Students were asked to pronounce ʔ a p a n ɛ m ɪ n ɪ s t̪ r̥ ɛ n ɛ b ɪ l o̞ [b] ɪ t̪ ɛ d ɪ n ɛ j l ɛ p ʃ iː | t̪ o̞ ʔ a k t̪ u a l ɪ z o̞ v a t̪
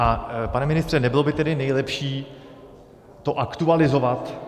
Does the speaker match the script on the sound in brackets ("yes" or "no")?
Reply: yes